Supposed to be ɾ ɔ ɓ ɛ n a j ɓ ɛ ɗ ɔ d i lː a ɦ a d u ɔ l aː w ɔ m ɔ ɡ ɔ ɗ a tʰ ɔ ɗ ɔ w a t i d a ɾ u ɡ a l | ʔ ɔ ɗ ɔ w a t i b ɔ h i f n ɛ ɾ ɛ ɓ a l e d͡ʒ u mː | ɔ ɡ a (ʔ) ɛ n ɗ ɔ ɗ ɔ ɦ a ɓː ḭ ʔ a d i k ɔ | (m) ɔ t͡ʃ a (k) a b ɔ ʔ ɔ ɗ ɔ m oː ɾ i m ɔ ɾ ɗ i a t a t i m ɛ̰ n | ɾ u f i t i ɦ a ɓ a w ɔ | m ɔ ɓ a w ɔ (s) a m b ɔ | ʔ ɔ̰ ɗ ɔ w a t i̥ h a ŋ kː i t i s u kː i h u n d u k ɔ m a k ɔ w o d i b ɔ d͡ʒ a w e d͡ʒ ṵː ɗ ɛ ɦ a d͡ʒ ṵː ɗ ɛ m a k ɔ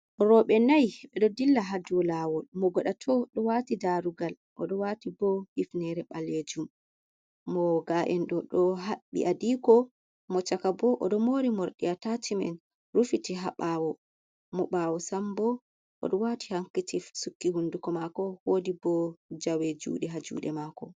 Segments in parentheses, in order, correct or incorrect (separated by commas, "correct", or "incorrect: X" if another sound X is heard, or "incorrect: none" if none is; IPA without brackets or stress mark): correct, correct, correct, correct